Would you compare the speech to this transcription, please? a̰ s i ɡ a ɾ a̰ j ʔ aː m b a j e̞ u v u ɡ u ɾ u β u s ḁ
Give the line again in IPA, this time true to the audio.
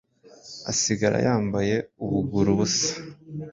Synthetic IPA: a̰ s i ɡ a ɾ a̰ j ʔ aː m b a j e̞ u β u ɡ u ɾ u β u s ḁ